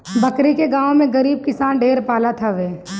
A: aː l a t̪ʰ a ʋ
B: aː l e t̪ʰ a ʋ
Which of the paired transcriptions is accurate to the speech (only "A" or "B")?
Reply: A